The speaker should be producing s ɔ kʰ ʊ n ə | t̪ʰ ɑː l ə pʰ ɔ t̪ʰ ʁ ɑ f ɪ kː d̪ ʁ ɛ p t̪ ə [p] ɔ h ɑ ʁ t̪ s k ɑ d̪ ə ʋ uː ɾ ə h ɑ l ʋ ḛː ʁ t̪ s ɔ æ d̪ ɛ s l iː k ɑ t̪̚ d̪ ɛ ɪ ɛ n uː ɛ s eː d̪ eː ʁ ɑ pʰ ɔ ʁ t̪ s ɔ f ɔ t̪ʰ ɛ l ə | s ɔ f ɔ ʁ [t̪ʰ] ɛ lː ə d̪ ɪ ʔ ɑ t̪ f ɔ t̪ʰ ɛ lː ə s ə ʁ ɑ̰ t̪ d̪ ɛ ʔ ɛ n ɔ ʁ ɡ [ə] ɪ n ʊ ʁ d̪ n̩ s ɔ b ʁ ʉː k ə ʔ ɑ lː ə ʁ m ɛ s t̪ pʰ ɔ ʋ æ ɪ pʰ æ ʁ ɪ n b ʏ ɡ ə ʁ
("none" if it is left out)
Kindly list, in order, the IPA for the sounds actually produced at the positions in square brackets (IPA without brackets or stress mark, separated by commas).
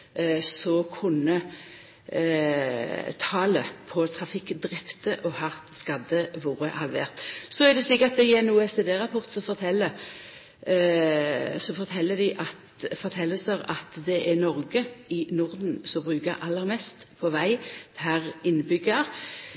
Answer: ʔ, t̪ʰ, ə